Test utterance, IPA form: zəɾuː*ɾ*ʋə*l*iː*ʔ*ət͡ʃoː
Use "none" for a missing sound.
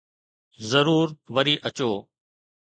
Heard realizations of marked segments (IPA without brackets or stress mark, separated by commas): ɾ, ɾ, ʔ